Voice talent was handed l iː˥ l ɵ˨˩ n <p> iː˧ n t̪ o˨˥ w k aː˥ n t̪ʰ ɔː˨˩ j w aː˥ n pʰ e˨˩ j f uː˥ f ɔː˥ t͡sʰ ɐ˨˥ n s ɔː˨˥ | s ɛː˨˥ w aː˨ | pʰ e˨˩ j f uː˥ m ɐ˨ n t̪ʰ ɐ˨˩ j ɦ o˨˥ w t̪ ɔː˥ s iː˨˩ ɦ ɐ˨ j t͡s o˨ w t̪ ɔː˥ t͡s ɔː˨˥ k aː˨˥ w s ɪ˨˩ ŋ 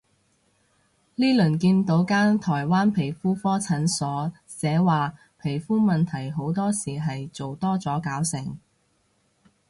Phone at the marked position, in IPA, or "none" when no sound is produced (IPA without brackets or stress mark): k